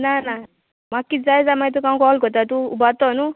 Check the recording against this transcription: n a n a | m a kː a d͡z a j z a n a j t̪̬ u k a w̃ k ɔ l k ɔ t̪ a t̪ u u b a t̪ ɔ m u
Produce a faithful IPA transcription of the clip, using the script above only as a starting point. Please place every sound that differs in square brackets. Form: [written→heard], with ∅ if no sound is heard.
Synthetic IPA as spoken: n a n a | m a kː [a→i] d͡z a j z a [n→m] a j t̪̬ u k a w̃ k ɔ l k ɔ t̪ a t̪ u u b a t̪ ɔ [m→n] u